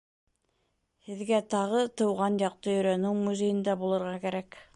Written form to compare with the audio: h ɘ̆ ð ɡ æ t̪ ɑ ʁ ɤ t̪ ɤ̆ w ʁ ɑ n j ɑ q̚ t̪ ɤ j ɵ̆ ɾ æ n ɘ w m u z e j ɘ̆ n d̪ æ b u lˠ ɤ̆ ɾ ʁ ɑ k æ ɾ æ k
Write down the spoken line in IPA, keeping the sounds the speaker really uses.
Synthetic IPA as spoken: h ɘ̆ ð ɡ æ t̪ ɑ ʁ ɤ t̪ ɤ̆ w ʁ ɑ n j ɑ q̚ t̪ ɤ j ɵ̆ ɾ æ n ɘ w m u z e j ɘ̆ n d̪ æ b u lˠ ɤ̆ ɾ ʁ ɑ k æ ɾ æ k